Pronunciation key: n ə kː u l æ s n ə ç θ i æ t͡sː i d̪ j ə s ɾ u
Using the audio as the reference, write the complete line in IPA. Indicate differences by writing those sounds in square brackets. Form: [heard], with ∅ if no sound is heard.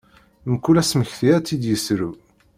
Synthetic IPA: [m] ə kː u l æ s [m] ə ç θ i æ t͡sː i d̪ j ə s ɾ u